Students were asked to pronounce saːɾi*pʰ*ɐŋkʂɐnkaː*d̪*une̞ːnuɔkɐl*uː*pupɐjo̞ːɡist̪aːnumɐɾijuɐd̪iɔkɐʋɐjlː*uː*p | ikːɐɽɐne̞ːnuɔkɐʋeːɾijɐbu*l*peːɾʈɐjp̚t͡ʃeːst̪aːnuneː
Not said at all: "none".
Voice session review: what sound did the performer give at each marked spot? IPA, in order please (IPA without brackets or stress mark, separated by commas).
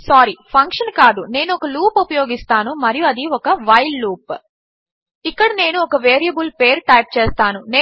pʰ, d̪, uː, uː, l